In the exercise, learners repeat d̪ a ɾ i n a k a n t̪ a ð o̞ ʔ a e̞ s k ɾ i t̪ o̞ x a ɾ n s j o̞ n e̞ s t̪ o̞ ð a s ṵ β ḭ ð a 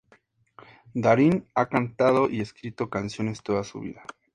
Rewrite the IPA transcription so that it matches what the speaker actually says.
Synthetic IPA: d̪ a ɾ i n a k a n t̪ a ð o̞ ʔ i e̞ s k ɾ i t̪ o̞ k a n s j o̞ n e̞ s t̪ o̞ ð a s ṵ β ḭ ð a